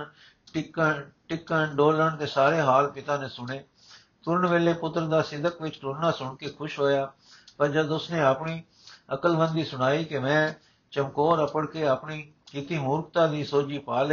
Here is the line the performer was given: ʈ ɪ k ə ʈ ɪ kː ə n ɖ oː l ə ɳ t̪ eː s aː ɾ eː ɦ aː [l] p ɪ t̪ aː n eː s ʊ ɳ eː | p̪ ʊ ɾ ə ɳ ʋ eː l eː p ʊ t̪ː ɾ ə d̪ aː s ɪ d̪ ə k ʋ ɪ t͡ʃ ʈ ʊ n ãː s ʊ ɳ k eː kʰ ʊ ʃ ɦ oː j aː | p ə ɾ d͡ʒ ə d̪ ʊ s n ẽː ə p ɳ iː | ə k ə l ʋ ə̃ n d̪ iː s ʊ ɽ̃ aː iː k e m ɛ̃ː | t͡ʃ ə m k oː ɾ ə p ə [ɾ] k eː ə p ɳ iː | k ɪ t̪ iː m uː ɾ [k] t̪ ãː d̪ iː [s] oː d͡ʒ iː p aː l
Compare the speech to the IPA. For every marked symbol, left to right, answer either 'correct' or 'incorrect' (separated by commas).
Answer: correct, incorrect, correct, correct